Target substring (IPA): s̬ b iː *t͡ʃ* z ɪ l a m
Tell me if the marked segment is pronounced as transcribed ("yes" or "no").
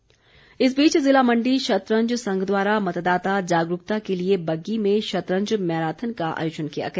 yes